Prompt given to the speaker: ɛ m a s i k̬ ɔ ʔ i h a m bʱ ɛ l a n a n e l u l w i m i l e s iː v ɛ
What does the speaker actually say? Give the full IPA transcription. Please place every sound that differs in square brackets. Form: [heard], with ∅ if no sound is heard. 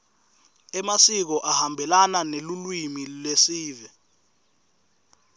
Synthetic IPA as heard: ɛ m a s i k̬ ɔ ʔ [a] h a m bʱ ɛ l a n a n e l u l w i m i l e s iː v ɛ